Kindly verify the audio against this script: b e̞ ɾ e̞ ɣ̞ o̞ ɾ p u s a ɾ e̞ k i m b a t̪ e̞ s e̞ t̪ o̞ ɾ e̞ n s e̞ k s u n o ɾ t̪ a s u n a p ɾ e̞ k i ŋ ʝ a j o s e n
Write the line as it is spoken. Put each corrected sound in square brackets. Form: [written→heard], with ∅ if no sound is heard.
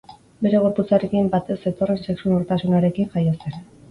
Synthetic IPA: b e̞ ɾ e̞ ɣ̞ o̞ ɾ p u [s→t͡s] a ɾ e̞ k i m b a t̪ e̞ s e̞ t̪ o̞ [ɾ→r] e̞ n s e̞ k s u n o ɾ t̪ a s u n a [p→∅] ɾ e̞ k i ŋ ʝ a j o s e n